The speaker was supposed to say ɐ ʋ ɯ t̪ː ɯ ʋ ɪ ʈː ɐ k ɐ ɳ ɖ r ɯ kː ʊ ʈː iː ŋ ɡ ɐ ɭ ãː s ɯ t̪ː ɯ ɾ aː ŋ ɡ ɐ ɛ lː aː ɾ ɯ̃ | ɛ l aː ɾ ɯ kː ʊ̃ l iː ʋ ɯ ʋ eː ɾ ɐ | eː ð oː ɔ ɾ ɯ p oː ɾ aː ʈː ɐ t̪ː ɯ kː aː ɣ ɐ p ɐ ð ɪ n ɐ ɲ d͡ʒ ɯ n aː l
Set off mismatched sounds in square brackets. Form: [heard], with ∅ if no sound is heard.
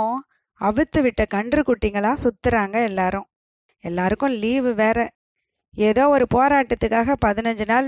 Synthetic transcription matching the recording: ɐ ʋ ɯ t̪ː ɯ ʋ ɪ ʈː ɐ k ɐ ɳ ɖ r ɯ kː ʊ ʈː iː ŋ ɡ ɐ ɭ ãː s [ʊ] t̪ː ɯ ɾ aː ŋ ɡ ɐ ɛ lː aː ɾ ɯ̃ | ɛ [lː] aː ɾ ɯ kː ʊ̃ l iː ʋ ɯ ʋ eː ɾ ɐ | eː ð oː ɔ ɾ ɯ p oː ɾ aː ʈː ɐ t̪ː ɯ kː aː ɣ ɐ p ɐ ð ɪ n ɐ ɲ d͡ʒ ɯ n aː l